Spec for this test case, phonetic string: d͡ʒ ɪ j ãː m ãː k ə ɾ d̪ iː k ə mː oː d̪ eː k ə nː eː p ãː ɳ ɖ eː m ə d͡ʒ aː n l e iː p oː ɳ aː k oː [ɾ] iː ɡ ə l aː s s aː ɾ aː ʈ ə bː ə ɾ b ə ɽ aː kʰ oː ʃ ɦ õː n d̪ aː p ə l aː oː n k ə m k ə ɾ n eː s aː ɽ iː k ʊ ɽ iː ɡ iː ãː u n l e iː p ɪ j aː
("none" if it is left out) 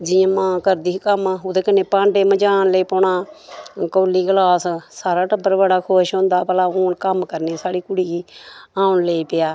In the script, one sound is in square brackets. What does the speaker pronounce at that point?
l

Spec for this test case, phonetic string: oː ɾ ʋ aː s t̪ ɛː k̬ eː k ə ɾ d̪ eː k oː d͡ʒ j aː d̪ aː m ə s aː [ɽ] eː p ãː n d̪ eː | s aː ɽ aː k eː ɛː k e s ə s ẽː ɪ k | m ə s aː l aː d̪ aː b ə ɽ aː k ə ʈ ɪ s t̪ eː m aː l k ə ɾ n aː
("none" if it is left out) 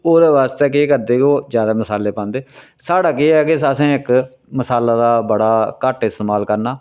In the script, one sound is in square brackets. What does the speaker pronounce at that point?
l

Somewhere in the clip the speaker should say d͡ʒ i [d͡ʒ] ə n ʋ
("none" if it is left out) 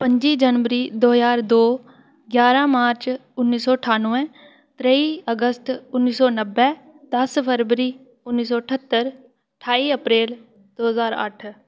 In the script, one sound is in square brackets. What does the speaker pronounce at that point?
d͡ʒ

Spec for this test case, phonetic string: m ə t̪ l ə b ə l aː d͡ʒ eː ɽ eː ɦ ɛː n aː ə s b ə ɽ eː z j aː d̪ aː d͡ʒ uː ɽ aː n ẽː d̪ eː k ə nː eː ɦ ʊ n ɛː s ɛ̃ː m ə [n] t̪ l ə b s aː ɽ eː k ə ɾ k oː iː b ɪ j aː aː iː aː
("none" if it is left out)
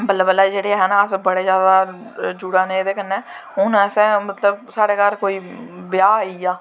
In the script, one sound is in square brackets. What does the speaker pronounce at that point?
none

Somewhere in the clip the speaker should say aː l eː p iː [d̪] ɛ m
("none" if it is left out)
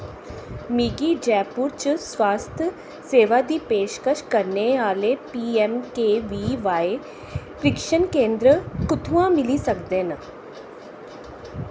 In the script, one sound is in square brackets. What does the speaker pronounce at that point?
none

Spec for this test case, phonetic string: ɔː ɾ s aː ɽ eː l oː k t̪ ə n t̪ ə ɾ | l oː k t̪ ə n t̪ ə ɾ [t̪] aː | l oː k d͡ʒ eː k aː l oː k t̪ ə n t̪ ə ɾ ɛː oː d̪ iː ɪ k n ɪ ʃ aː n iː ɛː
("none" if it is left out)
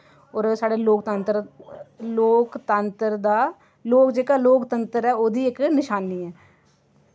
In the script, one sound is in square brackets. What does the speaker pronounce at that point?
d̪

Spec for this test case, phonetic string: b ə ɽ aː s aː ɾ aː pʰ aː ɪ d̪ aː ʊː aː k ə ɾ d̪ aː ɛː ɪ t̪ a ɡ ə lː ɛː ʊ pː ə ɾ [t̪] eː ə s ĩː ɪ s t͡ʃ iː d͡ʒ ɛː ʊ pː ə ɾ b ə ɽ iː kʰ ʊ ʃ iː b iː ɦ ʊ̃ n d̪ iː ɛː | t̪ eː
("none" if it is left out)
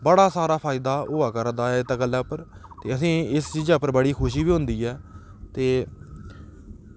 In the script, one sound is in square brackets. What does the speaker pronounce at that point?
t̪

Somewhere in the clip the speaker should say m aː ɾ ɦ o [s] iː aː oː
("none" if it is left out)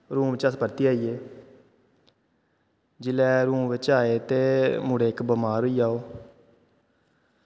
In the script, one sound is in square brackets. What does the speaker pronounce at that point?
none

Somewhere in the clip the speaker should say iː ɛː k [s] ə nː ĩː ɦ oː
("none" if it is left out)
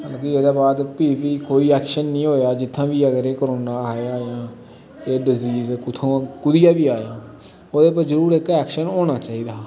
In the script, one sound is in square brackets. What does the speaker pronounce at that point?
ʃ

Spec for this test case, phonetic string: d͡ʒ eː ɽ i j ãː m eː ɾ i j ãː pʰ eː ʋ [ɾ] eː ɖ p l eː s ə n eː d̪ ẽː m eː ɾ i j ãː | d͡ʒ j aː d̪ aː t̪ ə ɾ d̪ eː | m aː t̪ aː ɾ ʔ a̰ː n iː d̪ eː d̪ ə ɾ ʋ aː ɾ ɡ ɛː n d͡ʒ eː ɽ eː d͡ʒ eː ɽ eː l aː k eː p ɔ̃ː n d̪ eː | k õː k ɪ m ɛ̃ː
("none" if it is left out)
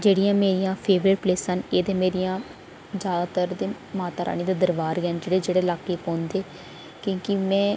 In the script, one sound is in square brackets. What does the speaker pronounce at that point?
ɾ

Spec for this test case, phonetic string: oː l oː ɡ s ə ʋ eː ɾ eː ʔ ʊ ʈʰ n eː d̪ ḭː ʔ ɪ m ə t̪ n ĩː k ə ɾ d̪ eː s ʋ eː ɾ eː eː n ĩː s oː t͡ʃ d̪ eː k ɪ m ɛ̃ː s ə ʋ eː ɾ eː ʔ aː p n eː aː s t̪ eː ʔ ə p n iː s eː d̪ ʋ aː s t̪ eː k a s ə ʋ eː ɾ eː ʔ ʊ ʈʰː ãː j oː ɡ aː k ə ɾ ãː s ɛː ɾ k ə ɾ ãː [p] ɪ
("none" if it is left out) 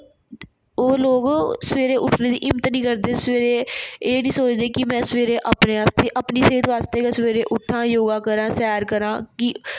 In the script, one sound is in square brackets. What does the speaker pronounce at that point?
k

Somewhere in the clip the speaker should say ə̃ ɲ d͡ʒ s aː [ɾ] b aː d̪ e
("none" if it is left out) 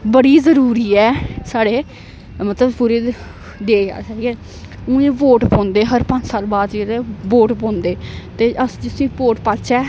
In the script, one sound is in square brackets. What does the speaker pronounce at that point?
l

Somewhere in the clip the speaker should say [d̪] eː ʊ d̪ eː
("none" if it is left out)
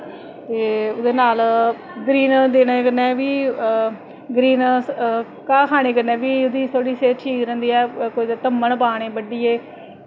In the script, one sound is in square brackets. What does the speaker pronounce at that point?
t̪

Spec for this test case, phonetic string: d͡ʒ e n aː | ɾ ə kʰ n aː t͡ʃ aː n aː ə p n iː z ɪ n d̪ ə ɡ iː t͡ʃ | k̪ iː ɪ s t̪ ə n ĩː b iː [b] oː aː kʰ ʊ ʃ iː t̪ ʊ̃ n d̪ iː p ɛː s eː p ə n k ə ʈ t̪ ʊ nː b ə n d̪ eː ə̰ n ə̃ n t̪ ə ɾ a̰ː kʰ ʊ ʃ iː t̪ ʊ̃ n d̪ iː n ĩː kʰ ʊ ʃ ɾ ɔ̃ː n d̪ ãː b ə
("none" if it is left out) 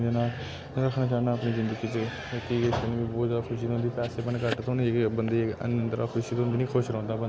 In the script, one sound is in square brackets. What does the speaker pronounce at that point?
b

